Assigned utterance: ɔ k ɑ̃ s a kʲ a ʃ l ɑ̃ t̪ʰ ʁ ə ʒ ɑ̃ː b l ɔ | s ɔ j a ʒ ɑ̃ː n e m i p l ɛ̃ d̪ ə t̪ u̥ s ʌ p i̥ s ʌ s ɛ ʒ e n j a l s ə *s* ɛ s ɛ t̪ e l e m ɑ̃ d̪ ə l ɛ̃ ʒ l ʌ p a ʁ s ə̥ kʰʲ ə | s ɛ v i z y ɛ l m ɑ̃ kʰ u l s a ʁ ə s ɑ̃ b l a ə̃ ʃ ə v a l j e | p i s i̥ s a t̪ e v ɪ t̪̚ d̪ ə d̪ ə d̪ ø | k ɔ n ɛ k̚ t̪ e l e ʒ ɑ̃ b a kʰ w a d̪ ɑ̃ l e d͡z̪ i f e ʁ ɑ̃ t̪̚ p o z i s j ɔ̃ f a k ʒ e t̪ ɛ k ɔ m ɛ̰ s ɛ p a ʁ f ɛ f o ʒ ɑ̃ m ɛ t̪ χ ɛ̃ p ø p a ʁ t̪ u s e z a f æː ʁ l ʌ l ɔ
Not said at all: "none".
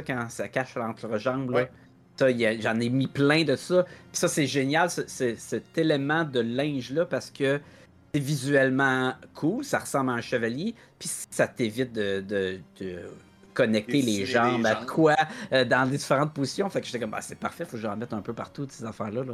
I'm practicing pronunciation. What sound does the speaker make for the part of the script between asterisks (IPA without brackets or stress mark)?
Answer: s